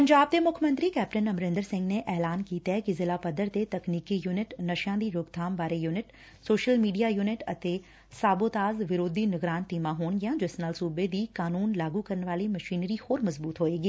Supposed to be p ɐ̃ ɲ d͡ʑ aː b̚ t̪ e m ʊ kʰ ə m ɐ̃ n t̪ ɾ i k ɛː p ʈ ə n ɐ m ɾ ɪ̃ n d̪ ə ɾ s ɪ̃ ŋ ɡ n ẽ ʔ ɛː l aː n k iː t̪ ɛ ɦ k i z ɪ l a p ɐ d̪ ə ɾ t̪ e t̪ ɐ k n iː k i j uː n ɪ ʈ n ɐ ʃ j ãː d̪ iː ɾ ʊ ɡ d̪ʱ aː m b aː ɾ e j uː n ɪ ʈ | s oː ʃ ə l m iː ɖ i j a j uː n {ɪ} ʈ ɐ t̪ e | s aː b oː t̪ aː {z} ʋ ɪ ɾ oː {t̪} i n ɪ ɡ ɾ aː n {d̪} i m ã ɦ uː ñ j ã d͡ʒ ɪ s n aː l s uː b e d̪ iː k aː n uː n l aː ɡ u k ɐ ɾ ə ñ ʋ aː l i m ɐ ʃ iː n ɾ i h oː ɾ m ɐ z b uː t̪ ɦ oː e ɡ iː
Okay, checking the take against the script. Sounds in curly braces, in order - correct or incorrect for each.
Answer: correct, correct, incorrect: d̪, incorrect: t̪

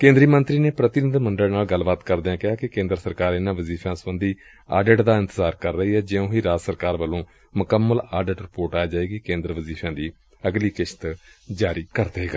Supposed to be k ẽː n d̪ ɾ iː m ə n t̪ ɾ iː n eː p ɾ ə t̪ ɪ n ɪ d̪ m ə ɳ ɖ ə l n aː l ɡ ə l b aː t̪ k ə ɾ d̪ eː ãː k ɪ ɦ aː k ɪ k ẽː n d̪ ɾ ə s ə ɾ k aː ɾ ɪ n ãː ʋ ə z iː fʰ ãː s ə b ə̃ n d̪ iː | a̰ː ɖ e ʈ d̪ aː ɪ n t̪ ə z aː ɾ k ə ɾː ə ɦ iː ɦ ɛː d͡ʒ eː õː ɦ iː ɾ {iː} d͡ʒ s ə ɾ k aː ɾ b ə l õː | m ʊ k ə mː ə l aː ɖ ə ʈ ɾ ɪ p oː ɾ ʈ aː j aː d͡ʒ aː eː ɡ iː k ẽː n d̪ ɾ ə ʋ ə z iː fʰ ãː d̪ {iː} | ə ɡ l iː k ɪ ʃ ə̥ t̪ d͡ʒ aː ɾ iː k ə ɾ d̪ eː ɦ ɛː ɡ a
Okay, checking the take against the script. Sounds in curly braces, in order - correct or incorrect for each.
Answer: incorrect: aː, correct

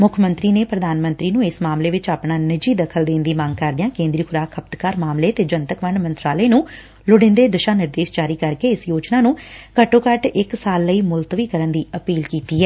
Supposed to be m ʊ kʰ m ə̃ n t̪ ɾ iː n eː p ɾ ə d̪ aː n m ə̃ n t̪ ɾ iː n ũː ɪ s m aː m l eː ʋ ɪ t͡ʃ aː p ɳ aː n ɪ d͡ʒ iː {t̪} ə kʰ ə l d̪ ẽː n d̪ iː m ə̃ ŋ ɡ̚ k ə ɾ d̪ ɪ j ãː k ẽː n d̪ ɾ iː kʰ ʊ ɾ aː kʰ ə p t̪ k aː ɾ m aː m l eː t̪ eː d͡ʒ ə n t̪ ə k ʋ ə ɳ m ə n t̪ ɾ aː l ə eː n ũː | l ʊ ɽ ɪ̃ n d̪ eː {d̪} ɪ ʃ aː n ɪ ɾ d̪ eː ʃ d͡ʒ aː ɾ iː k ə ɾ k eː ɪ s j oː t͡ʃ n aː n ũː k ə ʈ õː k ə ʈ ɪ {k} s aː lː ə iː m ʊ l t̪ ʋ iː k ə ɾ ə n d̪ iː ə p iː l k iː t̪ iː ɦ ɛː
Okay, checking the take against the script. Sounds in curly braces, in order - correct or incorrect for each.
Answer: incorrect: d̪, correct, correct

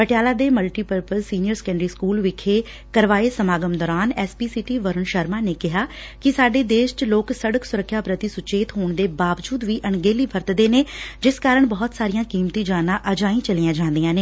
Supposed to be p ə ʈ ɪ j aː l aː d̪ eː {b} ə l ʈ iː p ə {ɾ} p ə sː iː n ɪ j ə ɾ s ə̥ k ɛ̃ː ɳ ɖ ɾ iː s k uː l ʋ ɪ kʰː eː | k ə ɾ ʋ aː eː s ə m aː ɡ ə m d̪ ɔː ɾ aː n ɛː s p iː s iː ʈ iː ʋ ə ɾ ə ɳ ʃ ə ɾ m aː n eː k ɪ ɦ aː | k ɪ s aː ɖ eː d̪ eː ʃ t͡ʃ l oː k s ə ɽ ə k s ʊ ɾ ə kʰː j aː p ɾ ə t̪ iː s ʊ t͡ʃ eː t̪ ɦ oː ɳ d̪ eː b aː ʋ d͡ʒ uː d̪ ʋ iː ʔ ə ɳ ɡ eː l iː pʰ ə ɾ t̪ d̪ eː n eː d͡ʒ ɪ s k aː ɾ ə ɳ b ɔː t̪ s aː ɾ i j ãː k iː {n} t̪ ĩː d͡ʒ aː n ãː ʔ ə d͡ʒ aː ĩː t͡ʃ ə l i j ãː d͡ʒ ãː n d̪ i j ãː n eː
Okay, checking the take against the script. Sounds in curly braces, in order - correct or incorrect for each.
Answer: incorrect: m, correct, incorrect: m

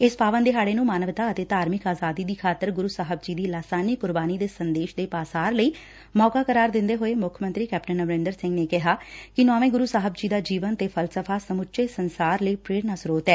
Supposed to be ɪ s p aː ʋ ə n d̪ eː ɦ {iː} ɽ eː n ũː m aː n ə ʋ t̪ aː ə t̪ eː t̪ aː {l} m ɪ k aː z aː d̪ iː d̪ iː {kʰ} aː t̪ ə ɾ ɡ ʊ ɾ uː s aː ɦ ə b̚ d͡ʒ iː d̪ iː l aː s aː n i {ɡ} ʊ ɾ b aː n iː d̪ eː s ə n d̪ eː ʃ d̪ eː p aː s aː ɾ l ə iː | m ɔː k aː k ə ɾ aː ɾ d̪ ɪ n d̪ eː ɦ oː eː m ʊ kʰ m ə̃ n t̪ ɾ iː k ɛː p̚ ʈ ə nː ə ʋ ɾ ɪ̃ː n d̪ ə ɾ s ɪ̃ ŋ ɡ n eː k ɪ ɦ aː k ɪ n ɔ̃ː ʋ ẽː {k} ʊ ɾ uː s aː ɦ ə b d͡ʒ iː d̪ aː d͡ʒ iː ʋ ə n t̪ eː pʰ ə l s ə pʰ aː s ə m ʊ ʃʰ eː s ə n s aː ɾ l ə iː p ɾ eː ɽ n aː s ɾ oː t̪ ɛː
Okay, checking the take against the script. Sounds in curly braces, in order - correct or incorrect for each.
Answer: incorrect: aː, incorrect: ɾ, correct, incorrect: k, incorrect: ɡ

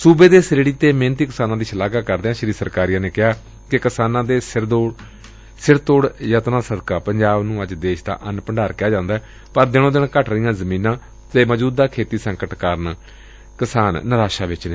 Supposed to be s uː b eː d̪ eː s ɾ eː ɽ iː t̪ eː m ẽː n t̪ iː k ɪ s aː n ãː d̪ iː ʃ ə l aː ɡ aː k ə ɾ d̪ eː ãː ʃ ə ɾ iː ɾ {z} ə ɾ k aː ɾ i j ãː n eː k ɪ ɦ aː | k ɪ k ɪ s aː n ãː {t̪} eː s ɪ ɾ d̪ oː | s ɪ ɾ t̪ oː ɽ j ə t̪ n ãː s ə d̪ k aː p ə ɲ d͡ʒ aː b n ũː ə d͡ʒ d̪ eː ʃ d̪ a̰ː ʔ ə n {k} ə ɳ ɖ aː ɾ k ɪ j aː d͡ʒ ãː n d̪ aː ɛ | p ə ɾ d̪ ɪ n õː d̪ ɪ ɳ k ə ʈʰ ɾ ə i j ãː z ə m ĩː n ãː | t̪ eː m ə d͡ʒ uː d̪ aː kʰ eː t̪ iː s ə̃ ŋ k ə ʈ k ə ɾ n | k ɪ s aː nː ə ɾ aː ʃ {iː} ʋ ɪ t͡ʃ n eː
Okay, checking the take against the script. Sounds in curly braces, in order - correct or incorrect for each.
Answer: incorrect: s, incorrect: d̪, incorrect: p, incorrect: aː

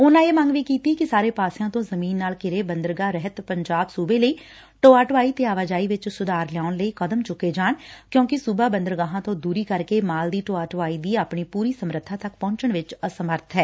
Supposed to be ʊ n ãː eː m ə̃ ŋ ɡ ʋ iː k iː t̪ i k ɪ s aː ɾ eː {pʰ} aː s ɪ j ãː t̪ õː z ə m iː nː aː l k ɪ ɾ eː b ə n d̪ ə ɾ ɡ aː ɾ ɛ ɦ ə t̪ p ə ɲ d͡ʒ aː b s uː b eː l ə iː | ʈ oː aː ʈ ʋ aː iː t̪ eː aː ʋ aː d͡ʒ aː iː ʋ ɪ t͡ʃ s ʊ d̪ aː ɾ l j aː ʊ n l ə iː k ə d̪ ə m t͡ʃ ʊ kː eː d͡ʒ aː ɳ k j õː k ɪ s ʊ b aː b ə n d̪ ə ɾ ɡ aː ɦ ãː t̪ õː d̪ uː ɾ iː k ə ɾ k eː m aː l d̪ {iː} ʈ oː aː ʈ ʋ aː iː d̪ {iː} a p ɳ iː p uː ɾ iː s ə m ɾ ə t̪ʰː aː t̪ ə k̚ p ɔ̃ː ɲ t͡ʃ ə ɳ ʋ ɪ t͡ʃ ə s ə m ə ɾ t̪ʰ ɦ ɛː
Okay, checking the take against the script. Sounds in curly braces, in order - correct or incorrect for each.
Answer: incorrect: p, correct, correct

